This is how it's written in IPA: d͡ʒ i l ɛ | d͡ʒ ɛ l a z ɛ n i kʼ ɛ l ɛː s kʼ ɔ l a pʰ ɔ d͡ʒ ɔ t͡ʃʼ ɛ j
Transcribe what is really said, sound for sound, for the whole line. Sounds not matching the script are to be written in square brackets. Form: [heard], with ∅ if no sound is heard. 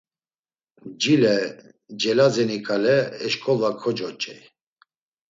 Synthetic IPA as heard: d͡ʒ i l ɛ | d͡ʒ ɛ l a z ɛ n i kʼ [a] l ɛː [ʃ] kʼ ɔ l a [kʰ] ɔ d͡ʒ ɔ t͡ʃʼ ɛ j